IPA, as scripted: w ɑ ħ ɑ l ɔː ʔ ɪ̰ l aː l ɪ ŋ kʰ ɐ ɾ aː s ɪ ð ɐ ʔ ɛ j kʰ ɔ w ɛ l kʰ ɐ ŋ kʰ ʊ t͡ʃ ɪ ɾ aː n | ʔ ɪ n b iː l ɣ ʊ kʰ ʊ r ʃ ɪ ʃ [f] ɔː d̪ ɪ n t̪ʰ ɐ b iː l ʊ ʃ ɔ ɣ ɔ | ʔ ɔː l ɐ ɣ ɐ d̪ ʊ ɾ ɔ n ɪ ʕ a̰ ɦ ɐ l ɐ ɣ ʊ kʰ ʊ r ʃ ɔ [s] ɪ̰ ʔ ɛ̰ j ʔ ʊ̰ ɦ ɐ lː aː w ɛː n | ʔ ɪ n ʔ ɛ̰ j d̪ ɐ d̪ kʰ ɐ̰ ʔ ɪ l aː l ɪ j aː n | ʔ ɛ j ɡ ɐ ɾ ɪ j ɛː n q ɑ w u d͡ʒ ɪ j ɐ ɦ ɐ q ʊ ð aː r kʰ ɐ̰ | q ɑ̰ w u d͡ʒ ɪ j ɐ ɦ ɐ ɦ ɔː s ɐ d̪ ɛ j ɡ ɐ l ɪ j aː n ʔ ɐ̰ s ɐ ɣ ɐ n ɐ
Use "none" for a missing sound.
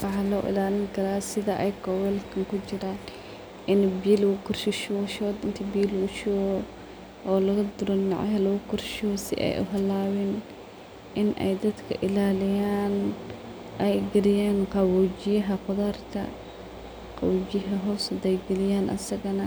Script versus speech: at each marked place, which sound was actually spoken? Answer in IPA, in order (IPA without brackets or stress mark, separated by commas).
ʃ, s